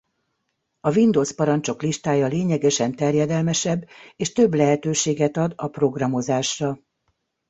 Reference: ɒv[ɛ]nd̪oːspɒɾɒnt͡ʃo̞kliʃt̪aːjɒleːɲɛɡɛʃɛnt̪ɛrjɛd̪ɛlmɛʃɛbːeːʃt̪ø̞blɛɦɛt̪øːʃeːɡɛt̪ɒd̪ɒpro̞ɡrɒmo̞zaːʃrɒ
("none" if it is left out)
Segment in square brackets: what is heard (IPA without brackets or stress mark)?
i